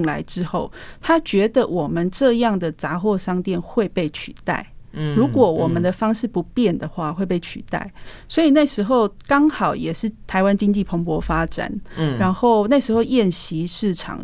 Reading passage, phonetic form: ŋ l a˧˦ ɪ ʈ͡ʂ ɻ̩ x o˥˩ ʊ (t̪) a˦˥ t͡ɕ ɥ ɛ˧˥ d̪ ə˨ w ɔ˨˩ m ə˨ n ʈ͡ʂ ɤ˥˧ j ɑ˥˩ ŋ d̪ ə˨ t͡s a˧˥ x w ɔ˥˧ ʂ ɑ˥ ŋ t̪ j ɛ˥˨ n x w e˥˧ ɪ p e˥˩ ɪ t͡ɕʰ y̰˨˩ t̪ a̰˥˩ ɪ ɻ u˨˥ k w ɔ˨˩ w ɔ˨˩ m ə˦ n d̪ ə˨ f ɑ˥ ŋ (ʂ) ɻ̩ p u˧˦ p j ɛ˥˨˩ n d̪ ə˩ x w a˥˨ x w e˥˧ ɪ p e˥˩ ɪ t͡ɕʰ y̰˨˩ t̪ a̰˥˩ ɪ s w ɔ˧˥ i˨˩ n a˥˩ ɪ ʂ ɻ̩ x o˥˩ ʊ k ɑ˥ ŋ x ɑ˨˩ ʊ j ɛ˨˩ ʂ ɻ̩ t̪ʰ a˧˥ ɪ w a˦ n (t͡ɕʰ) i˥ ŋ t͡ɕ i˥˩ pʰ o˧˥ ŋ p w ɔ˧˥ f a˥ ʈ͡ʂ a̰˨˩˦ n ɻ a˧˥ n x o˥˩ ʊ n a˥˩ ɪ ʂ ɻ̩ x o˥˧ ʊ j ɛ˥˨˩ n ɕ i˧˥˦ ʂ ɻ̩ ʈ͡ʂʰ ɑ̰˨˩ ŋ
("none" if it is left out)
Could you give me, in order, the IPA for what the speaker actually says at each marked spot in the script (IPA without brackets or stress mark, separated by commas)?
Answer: t̪ʰ, ʂ, t͡ɕ